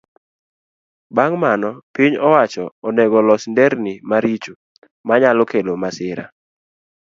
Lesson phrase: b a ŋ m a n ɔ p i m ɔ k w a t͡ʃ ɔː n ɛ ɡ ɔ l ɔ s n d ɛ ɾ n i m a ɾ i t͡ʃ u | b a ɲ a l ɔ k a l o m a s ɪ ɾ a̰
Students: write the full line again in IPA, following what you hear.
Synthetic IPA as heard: b a ŋ m a n ɔ p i ɲ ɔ w a t͡ʃ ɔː n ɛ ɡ ɔ l ɔ s n d ɛ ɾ n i m a ɾ i t͡ʃ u | m a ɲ a l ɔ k e l o m a s ɪ ɾ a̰